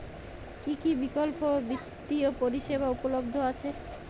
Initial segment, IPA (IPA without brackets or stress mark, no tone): k